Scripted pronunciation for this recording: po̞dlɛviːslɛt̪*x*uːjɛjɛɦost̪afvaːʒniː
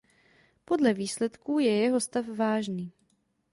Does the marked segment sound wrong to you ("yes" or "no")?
yes